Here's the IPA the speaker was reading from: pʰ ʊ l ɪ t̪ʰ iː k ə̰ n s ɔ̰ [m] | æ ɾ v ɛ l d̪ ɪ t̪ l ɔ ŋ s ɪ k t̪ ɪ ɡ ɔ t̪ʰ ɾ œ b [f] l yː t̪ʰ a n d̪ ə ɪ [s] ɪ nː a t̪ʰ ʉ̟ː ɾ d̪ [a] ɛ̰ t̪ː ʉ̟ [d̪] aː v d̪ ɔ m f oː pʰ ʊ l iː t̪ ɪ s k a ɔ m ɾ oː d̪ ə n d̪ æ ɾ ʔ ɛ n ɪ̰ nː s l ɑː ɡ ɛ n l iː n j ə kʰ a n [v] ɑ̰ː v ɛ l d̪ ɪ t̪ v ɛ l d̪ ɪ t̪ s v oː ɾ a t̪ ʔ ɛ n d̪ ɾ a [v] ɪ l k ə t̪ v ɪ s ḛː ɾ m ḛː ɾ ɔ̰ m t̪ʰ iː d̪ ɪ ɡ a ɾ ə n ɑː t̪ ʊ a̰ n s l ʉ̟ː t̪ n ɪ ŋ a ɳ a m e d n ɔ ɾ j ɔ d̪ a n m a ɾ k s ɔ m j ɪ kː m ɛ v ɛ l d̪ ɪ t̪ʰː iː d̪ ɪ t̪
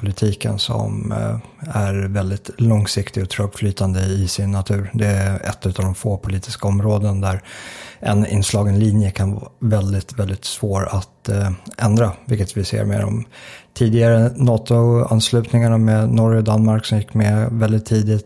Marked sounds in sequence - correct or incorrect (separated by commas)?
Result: correct, correct, correct, incorrect, incorrect, correct, correct